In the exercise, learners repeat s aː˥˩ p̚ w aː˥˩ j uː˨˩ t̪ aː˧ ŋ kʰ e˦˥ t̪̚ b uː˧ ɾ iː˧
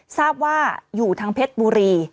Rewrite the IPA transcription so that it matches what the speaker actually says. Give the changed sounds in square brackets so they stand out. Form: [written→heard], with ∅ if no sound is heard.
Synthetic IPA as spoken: s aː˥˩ p̚ w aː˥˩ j uː˨˩ [t̪→t̪ʰ] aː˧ ŋ [kʰ→pʰ] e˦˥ t̪̚ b uː˧ ɾ iː˧